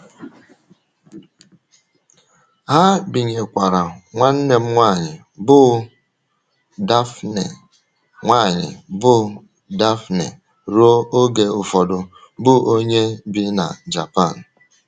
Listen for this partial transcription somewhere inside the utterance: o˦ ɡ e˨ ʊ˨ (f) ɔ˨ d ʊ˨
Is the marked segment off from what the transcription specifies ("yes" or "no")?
no